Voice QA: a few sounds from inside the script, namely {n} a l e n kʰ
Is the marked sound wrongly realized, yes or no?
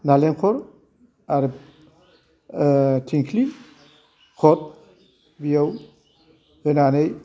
no